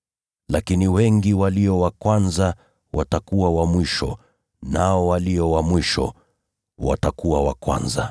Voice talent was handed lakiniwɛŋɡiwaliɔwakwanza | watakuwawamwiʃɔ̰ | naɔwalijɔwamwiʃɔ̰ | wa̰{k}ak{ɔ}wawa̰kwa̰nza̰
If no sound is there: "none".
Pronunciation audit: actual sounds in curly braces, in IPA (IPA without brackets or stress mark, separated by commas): t, u